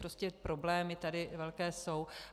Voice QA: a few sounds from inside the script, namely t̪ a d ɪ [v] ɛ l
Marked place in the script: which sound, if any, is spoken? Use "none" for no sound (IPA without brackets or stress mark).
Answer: v